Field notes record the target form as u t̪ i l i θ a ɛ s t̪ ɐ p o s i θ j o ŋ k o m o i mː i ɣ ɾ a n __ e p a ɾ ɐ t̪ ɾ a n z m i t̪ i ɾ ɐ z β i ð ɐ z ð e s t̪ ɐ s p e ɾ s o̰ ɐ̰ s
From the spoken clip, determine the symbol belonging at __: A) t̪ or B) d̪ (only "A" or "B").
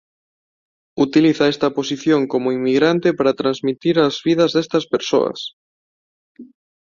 A